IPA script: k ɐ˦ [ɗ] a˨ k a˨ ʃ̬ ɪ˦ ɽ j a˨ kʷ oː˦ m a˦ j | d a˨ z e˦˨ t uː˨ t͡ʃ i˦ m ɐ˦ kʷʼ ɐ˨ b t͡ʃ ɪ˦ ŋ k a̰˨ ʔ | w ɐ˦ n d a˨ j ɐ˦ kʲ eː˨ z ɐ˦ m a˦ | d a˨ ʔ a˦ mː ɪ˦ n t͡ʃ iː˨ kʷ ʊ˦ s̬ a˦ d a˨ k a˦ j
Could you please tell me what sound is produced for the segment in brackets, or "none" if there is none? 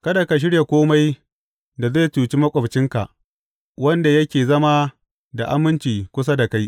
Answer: d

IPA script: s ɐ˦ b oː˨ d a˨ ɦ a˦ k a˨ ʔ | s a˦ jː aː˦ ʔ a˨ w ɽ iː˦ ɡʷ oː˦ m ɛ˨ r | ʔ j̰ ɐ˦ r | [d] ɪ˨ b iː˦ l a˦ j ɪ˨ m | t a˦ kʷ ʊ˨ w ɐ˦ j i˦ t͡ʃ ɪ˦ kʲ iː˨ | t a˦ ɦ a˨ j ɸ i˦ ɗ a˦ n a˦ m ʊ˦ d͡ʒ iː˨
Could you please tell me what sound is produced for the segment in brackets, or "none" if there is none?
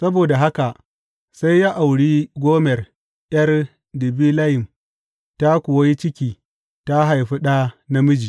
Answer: d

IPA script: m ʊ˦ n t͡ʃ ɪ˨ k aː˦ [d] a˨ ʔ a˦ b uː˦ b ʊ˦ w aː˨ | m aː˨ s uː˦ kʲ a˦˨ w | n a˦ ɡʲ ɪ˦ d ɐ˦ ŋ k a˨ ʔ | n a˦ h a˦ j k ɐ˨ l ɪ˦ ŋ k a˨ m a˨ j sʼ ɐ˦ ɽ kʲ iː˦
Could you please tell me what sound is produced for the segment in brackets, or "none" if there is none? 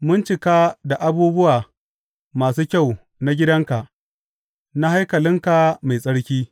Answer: d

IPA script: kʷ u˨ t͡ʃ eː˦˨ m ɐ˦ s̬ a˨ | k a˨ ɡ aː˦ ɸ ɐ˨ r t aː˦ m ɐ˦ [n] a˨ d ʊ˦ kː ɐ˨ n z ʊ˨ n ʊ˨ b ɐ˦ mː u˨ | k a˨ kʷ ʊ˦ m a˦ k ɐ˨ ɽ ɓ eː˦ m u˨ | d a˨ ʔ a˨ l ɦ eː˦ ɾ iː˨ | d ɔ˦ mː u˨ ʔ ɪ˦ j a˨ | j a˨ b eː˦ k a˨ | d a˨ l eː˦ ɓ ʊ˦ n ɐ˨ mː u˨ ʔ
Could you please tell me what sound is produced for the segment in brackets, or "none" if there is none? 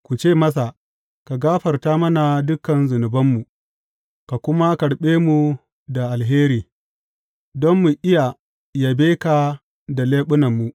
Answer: n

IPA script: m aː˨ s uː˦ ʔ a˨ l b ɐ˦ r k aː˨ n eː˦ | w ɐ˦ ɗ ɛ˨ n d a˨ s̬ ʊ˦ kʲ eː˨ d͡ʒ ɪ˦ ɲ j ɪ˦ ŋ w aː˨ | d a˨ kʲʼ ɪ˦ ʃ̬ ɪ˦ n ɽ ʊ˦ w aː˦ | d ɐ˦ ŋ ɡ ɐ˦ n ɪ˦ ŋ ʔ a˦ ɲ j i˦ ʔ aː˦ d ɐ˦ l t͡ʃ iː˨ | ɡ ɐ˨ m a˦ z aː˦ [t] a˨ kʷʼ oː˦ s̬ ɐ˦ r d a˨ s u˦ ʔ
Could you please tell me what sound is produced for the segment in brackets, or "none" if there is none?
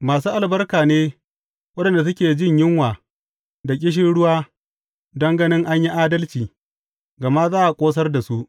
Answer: ʔ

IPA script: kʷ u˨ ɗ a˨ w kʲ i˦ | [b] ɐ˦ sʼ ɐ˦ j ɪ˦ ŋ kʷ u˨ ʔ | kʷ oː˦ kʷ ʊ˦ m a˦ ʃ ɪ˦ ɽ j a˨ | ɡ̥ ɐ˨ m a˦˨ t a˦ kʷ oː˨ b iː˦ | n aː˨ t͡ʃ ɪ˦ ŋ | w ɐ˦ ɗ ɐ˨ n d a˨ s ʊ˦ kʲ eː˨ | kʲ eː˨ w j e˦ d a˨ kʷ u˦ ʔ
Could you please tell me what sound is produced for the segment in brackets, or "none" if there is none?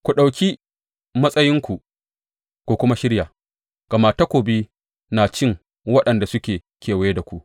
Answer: m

